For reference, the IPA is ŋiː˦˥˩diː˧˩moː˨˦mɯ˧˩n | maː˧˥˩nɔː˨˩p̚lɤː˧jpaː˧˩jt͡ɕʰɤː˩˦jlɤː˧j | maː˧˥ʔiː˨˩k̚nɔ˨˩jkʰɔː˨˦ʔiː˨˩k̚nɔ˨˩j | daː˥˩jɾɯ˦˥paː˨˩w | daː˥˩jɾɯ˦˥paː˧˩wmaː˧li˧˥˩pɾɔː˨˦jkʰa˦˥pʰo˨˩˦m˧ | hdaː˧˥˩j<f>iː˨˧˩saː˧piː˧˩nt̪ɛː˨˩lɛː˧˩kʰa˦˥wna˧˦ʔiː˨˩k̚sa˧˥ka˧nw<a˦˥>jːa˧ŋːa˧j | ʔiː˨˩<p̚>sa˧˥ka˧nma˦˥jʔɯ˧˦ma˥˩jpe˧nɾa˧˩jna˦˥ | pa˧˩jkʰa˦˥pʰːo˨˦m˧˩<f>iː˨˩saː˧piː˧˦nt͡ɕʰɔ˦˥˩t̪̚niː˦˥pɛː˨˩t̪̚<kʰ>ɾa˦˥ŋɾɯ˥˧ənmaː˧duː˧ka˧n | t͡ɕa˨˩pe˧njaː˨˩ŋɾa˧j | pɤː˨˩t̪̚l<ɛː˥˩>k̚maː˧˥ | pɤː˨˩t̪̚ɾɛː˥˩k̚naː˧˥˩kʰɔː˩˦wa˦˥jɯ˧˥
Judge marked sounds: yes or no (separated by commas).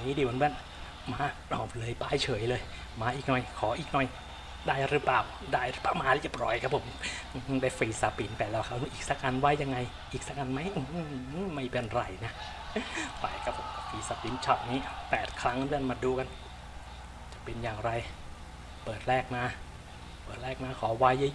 yes, yes, no, yes, yes, yes